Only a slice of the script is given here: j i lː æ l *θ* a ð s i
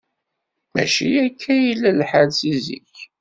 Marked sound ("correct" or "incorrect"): incorrect